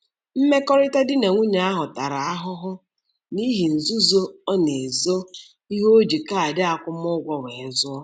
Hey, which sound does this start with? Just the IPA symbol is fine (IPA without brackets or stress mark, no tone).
m̩